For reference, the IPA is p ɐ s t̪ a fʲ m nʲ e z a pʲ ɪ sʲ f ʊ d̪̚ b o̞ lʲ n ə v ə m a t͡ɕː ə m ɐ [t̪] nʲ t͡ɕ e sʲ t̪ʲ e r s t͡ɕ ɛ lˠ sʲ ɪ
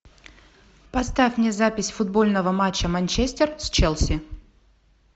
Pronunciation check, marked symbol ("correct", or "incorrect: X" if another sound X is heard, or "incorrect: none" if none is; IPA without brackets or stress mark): incorrect: none